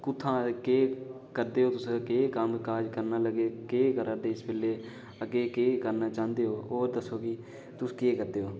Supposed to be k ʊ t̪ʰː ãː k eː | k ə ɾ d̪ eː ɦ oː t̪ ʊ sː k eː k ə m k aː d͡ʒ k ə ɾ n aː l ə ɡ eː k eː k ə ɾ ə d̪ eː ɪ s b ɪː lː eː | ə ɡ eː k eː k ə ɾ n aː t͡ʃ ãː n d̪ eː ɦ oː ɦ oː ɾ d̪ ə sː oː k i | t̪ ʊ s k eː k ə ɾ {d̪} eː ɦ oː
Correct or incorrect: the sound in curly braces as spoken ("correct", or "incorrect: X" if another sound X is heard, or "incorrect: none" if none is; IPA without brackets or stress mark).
correct